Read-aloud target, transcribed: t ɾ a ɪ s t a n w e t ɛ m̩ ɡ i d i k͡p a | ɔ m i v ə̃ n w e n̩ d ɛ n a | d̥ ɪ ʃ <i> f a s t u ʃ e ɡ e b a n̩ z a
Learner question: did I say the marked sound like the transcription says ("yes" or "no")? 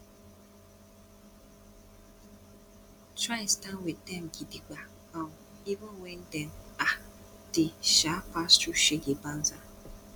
no